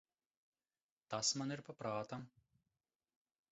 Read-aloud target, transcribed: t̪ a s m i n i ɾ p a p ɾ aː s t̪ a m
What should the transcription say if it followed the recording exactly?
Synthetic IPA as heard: t̪ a s m a n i ɾ p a p ɾ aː t̪ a m